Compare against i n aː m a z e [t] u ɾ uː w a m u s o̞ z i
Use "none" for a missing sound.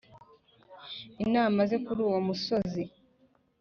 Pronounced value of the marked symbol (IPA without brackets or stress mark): k